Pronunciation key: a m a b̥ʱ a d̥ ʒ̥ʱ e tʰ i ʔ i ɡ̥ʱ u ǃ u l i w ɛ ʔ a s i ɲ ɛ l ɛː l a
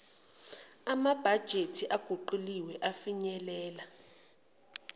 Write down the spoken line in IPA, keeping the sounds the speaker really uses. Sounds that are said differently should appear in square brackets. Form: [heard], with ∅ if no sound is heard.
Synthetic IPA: a m a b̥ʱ a d̥ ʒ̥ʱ e tʰ i ʔ [a] ɡ̥ʱ u ǃ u l i w ɛ ʔ a [f] i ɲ ɛ l ɛː l a